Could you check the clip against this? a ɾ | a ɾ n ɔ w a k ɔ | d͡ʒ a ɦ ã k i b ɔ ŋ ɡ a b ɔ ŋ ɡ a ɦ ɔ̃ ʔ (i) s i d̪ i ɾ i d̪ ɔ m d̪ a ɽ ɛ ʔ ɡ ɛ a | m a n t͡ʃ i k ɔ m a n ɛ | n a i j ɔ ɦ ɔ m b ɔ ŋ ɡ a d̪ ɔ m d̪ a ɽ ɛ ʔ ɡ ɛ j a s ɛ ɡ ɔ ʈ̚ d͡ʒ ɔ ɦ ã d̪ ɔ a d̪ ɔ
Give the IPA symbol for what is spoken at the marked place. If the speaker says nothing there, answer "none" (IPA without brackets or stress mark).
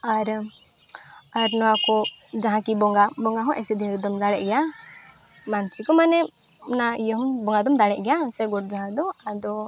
ɛ